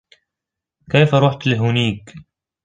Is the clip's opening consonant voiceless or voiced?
voiceless